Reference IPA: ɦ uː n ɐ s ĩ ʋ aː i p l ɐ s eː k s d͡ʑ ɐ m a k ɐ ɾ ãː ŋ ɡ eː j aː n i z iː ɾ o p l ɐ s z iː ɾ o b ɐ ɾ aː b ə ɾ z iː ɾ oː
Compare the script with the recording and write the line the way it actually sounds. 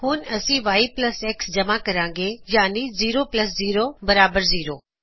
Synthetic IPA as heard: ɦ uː n ɐ s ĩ ʋ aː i p l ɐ s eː k s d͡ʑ ɐ m a k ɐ ɾ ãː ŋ ɡ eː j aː n i z iː ɾ o p l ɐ s z iː ɾ o b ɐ ɾ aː b ə ɾ z iː ɾ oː